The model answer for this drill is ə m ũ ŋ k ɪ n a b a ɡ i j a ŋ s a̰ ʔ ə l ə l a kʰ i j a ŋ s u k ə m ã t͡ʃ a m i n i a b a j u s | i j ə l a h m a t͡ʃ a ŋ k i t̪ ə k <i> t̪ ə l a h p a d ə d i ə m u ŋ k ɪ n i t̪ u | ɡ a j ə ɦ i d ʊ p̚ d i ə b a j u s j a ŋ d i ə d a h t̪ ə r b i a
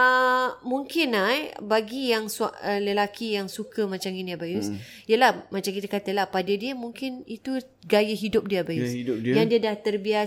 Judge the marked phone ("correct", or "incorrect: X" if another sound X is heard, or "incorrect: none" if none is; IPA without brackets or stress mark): incorrect: a